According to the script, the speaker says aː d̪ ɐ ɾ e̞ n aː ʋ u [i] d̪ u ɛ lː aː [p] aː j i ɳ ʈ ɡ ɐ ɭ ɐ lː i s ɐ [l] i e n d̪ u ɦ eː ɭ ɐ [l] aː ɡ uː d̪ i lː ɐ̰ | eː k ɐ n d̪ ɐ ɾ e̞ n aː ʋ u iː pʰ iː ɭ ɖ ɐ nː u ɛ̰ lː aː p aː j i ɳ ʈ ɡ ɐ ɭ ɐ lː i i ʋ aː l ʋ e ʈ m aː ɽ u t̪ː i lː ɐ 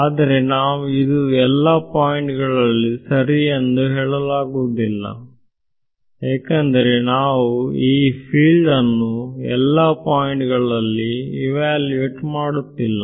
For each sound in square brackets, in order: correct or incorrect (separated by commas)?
correct, correct, incorrect, correct